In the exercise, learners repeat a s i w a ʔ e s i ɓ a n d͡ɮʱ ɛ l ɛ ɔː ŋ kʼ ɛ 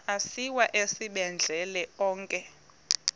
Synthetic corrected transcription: a s i w a ʔ e s i ɓ ɛ n d͡ɮʱ ɛ l ɛ ɔː ŋ kʼ ɛ